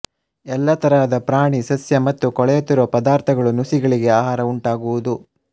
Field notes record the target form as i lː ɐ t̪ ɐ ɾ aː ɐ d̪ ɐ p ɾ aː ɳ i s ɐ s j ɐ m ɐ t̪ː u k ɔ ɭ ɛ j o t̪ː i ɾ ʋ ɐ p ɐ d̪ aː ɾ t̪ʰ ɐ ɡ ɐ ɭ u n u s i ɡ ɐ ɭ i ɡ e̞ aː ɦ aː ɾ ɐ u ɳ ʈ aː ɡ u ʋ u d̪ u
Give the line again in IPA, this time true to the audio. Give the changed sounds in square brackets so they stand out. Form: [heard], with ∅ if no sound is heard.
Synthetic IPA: [ɛ] lː ɐ t̪ ɐ ɾ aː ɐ d̪ ɐ p ɾ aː ɳ i s ɐ s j ɐ m ɐ t̪ː u k ɔ ɭ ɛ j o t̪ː i ɾ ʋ ɐ p ɐ d̪ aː ɾ t̪ʰ ɐ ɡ ɐ ɭ u n u s i ɡ ɐ ɭ i ɡ e̞ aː ɦ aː ɾ ɐ u ɳ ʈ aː ɡ u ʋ u d̪ u